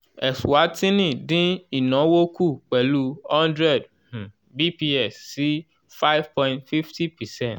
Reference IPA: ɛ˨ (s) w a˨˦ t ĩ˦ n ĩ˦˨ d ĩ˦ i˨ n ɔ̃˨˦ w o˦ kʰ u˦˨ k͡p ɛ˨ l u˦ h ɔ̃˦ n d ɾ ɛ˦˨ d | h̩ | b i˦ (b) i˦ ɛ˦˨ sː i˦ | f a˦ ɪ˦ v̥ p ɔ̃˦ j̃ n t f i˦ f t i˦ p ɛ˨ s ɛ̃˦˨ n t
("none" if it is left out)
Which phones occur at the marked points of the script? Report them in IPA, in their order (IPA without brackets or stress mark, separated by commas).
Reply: s, p